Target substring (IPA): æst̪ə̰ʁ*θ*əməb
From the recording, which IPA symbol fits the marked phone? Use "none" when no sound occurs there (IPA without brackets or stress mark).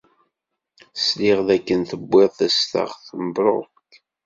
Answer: θ